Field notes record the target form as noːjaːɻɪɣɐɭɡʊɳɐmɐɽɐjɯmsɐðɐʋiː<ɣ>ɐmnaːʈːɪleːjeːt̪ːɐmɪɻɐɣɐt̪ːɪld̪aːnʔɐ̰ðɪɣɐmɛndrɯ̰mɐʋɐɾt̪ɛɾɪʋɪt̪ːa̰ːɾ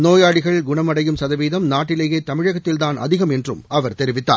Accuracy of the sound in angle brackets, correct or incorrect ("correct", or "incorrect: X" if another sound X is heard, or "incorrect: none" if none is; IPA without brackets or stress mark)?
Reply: incorrect: ð